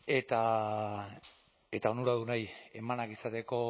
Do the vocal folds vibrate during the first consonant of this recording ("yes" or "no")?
no